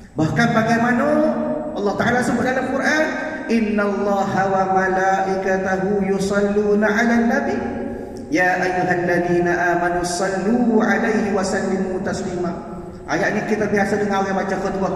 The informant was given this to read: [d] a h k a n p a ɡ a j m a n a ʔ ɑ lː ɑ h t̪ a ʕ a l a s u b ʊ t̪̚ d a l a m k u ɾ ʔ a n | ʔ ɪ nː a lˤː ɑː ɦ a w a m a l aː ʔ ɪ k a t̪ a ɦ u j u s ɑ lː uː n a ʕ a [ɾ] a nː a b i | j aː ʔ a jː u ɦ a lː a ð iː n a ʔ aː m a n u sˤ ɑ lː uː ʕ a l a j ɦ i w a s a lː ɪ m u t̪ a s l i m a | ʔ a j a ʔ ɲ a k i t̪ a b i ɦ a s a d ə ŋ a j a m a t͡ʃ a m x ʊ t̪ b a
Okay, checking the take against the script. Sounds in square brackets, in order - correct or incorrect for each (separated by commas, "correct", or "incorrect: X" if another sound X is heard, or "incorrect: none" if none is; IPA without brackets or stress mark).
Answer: incorrect: b, incorrect: l